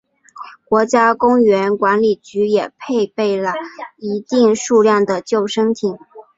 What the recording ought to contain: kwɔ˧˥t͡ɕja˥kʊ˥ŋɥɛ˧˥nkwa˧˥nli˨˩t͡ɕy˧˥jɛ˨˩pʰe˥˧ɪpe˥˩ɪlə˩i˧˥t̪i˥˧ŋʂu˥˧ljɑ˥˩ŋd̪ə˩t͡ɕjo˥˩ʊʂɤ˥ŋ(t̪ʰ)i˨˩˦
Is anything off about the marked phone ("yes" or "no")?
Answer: no